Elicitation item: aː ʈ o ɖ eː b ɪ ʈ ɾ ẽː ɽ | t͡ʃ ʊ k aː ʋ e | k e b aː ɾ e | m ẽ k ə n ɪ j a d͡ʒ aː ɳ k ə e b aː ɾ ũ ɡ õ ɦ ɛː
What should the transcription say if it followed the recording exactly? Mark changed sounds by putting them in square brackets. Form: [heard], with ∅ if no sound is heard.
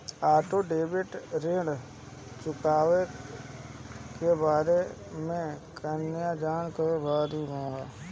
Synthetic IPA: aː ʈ o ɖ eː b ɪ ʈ ɾ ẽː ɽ | t͡ʃ ʊ k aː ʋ e | k e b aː ɾ e | m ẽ k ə n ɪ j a d͡ʒ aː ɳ k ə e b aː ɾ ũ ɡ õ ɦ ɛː

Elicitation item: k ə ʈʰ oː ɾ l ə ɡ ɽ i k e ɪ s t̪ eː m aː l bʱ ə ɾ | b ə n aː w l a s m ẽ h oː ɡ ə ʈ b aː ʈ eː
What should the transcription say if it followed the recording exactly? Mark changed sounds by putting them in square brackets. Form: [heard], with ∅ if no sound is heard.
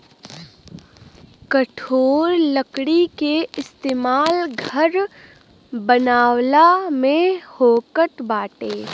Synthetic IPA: k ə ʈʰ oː ɾ l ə [k] ɽ i k e ɪ s t̪ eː m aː l [ɡʱ] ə ɾ | b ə n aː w l a [∅] m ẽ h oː [k] ə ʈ b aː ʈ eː

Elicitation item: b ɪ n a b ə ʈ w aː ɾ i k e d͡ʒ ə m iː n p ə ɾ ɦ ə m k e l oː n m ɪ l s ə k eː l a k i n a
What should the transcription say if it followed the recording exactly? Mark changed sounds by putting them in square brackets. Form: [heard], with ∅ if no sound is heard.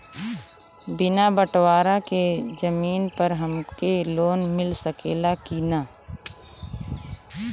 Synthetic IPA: b ɪ n a b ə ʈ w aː ɾ [a] k e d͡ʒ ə m iː n p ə ɾ ɦ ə m k e l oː n m ɪ l s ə k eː l a k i n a

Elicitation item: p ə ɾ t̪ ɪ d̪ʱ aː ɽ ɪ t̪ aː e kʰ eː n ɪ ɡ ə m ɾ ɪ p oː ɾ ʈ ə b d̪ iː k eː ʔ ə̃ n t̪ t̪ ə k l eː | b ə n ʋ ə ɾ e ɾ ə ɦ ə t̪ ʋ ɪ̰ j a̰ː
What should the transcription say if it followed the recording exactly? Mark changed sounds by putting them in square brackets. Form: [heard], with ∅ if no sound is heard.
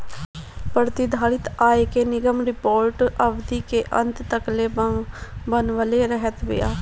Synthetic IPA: p ə ɾ t̪ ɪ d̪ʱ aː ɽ ɪ t̪ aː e [k] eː n ɪ ɡ ə m ɾ ɪ p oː ɾ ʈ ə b d̪ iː k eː ʔ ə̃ n t̪ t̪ ə k l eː | b ə n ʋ ə [l] e ɾ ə ɦ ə t̪ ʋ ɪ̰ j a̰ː

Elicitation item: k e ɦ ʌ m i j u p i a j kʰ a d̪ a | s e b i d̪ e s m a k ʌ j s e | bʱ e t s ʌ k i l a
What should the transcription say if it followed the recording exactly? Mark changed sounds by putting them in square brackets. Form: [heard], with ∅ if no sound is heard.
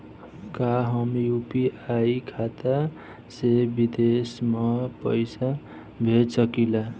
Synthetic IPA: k [a] ɦ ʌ m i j u p i a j kʰ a [t̪] a | s e b i d̪ e s m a [p] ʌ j s [a] | bʱ e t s ʌ k i l a

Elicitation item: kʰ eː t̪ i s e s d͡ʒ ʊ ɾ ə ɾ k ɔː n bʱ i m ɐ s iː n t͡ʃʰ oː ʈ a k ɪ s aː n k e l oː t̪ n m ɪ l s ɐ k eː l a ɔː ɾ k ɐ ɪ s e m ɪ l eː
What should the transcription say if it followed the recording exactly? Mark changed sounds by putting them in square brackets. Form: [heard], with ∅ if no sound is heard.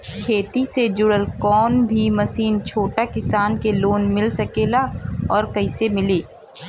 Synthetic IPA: kʰ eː t̪ i s e [∅] d͡ʒ ʊ [ɽ] ə [l] k ɔː n bʱ i m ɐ s iː n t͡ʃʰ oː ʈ a k ɪ s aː n k e l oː [∅] n m ɪ l s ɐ k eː l a ɔː ɾ k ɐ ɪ s e m ɪ l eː

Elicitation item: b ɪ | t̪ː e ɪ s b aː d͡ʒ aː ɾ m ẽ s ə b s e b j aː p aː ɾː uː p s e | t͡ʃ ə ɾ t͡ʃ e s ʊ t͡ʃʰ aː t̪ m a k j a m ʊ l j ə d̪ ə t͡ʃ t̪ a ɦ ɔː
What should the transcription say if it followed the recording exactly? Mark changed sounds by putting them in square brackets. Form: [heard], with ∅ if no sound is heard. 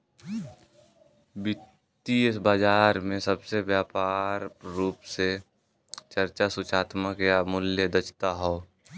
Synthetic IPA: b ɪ | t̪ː [i] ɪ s b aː d͡ʒ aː ɾ m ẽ s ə b s e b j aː p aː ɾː uː p s e | t͡ʃ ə ɾ t͡ʃ [a] s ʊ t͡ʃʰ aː t̪ m [ə] k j a m ʊ l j ə d̪ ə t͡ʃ t̪ a ɦ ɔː

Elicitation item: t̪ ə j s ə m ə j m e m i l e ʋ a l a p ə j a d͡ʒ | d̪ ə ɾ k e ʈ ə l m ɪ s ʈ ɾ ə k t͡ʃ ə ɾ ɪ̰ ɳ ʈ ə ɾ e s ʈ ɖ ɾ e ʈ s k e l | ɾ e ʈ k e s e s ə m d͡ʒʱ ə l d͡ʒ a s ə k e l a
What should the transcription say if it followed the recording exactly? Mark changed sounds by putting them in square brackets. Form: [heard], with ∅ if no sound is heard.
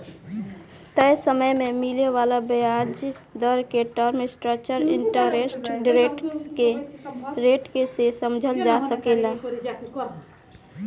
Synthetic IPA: t̪ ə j s ə m ə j m e m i l e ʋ a l a [b] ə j a d͡ʒ | d̪ ə ɾ k e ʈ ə [ɾ] m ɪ s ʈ ɾ ə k t͡ʃ ə ɾ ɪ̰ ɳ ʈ ə ɾ e s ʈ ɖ ɾ e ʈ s k e [∅] | ɾ e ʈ k e s e s ə m d͡ʒʱ ə l d͡ʒ a s ə k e l a

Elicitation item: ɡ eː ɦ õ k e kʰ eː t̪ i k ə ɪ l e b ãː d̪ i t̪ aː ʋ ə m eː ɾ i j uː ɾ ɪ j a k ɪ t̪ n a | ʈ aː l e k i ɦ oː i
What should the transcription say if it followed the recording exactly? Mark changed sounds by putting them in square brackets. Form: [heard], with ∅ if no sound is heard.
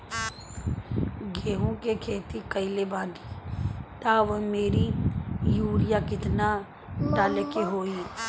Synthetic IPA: ɡ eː ɦ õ k e kʰ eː t̪ i k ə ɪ l e b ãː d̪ i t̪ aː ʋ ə m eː ɾ i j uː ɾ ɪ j a k ɪ t̪ n a | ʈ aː l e k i ɦ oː i

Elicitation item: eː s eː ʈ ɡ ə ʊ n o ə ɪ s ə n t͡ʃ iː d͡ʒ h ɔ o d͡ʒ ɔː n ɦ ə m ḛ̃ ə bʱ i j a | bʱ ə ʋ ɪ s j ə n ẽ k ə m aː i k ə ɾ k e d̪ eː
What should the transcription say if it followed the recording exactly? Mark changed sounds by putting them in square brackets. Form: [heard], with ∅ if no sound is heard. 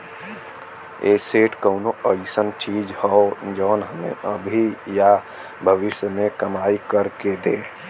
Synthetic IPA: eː s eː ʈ [k] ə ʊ n o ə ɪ s ə n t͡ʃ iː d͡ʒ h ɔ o d͡ʒ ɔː n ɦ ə m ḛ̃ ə bʱ i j a | bʱ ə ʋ ɪ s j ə [m] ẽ k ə m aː i k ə ɾ k e d̪ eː

